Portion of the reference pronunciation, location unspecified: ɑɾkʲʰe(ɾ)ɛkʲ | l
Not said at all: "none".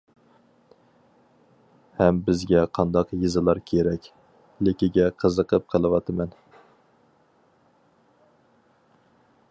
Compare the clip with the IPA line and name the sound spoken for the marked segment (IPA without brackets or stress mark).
ɾ